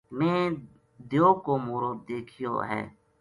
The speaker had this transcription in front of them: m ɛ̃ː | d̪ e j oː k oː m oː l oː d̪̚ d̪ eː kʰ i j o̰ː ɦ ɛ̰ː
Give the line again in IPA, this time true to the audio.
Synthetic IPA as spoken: m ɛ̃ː | d̪ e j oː k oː m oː ɾ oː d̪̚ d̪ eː kʰ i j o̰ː ɦ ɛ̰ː